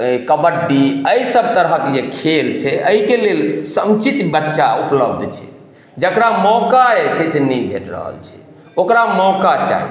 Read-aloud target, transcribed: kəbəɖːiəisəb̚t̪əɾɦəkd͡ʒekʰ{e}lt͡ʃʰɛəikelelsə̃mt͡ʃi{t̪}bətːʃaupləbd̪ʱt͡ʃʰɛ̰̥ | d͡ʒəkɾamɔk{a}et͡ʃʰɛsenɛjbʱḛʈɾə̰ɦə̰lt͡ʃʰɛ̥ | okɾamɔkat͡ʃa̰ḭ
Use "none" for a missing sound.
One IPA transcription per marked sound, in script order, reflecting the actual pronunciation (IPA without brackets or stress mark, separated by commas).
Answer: e, t̪, a